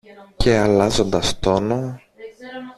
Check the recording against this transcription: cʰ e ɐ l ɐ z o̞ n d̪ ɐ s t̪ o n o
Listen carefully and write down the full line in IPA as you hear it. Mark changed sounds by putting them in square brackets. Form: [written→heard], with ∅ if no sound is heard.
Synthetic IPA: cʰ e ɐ l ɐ z o̞ n d̪ ɐ s t̪ o n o